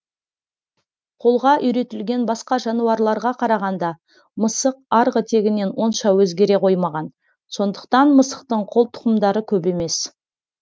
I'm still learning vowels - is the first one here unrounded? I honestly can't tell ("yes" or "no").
no